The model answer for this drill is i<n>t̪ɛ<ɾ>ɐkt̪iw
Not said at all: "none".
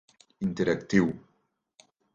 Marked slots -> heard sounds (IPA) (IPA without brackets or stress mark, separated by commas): n, ɾ